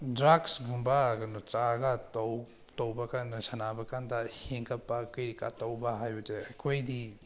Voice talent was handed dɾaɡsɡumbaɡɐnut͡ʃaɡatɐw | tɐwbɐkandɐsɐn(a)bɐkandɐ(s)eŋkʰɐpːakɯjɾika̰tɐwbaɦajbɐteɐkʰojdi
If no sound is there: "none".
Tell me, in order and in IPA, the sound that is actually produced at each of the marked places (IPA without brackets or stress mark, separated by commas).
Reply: a, h